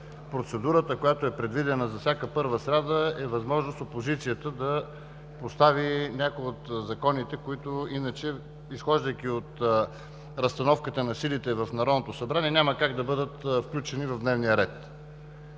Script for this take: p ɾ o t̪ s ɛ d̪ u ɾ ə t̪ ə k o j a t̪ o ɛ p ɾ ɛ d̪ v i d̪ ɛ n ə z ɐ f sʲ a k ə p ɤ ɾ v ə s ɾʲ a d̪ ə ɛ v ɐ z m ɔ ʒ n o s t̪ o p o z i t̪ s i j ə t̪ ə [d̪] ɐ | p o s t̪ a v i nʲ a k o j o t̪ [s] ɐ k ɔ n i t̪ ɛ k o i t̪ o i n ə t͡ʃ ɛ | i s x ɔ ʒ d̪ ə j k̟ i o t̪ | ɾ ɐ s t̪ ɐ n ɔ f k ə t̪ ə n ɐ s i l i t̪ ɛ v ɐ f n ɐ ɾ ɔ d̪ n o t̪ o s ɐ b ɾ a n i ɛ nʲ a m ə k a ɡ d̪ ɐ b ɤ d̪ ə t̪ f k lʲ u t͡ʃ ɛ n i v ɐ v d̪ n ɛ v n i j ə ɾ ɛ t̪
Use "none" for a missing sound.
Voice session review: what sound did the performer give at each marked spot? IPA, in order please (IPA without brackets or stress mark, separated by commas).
d̪, z